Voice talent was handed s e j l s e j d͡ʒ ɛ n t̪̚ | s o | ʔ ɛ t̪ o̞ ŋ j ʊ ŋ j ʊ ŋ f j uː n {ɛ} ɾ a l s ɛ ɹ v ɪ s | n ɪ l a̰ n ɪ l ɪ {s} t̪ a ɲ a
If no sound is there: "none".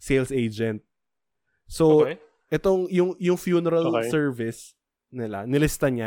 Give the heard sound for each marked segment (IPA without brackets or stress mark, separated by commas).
ɛ, s